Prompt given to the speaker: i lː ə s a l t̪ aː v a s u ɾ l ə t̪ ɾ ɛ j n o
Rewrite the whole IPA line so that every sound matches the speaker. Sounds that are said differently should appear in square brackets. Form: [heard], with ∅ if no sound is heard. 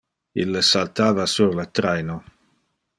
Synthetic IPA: i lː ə s a l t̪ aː v a s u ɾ l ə t̪ ɾ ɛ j n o